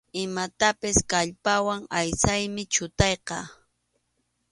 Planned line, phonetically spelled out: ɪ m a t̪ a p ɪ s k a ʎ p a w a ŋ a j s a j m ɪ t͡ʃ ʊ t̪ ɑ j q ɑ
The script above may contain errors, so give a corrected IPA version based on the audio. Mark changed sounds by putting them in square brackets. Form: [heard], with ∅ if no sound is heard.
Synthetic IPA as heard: ɪ m a t̪ a p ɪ s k a ʎ p a w a ŋ a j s a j m ɪ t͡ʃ ʊ t̪ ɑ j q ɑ